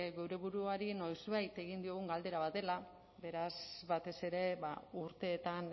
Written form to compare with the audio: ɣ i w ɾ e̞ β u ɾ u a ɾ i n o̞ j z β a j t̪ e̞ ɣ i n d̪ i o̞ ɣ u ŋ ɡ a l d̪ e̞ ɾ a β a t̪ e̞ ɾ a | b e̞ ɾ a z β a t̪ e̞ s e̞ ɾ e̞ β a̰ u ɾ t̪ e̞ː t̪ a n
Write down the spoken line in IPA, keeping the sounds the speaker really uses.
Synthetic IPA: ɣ e w ɾ e̞ β u ɾ u a ɾ i n o̞ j z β a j t̪ e̞ ɣ i n d̪ i o̞ ɣ u ŋ ɡ a l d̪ e̞ ɾ a β a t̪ e̞ l a | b e̞ ɾ a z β a t̪ e̞ s e̞ ɾ e̞ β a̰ u ɾ t̪ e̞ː t̪ a n